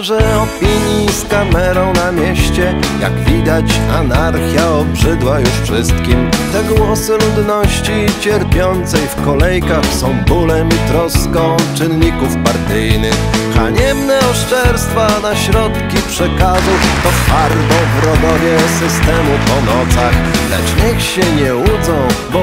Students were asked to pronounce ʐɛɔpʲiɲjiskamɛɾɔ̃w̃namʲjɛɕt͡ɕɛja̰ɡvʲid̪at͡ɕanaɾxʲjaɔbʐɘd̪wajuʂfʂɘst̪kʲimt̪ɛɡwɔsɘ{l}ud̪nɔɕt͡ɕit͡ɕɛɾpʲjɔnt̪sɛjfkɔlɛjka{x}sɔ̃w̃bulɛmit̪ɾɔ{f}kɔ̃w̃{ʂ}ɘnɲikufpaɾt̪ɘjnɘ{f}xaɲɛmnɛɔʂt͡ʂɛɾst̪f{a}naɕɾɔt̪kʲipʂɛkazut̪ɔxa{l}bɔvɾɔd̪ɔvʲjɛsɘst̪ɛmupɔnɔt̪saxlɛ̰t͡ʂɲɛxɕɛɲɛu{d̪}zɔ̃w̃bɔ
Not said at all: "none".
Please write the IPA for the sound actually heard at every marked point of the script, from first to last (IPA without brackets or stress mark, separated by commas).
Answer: l, x, s, t͡ʂ, x, a, ɾ, d̪